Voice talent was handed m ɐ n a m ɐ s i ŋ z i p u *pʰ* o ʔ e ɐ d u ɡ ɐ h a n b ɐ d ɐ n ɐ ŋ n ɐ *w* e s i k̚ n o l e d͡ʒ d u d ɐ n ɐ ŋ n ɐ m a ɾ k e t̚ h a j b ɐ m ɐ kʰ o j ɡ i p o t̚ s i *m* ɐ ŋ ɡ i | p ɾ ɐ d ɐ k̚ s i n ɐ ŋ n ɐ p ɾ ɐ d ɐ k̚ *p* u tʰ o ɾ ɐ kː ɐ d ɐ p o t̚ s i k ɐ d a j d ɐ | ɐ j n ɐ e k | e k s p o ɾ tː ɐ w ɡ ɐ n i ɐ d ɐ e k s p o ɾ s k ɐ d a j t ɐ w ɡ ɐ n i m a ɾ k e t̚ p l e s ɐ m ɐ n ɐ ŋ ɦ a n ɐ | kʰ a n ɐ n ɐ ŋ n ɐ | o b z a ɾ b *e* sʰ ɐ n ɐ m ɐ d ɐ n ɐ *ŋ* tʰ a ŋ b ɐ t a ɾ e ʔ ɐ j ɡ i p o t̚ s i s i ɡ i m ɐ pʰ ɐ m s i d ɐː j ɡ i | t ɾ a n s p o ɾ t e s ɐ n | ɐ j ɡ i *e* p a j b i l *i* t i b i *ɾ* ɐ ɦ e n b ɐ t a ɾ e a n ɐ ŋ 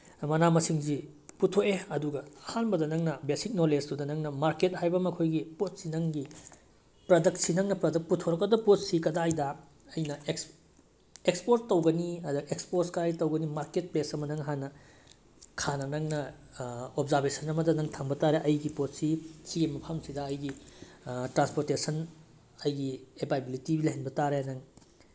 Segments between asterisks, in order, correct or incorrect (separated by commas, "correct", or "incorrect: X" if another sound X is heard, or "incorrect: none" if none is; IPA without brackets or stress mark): incorrect: tʰ, incorrect: b, incorrect: n, correct, correct, correct, correct, correct, incorrect: l